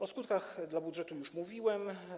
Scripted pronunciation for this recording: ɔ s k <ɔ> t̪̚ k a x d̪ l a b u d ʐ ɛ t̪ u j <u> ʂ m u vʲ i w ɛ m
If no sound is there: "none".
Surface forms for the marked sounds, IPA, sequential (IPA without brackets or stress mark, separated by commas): u, u